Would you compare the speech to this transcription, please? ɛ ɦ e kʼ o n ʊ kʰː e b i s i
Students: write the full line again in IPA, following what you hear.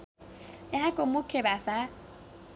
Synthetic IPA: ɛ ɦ a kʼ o m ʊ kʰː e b a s a